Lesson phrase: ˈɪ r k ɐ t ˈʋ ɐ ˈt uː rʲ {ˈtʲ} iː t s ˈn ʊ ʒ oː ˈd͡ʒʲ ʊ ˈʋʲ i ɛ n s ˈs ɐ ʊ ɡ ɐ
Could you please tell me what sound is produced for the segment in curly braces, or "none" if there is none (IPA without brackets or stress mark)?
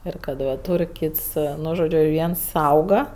kʲ